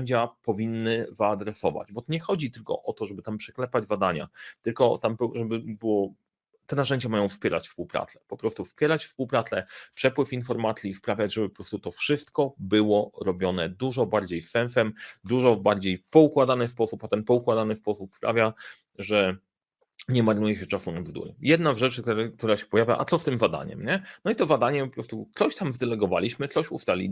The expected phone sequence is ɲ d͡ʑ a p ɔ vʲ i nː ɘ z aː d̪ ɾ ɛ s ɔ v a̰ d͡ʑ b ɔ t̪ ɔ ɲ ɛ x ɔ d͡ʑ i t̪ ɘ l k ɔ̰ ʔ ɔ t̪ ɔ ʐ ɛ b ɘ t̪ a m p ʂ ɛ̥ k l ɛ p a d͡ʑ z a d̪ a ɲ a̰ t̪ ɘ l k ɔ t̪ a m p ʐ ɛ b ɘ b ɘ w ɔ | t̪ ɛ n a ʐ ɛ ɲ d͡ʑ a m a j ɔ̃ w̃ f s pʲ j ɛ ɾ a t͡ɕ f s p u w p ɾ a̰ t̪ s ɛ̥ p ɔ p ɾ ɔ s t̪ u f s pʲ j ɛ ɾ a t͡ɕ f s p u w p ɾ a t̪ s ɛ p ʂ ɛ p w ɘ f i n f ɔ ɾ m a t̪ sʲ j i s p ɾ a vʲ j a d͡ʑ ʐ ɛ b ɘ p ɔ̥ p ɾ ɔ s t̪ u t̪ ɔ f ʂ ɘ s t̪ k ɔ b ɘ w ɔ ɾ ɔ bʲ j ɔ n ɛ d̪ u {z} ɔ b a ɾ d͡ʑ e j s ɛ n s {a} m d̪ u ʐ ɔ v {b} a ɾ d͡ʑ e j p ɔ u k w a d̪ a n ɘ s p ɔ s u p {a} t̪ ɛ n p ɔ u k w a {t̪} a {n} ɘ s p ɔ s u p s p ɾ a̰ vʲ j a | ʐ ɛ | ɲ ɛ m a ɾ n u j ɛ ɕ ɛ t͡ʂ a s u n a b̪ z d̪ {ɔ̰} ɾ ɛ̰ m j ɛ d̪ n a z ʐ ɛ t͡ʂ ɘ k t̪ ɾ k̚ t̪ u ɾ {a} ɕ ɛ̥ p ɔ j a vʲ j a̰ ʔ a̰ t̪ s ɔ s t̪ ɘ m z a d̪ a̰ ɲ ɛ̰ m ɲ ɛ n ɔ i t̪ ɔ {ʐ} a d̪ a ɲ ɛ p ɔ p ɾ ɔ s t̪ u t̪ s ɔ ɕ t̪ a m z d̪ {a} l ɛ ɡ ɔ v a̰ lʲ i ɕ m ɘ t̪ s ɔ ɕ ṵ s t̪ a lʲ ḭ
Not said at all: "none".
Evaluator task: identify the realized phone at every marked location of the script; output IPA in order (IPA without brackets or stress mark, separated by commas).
ʐ, ɛ, b, a, d̪, n, ṵ, a, z, ɛ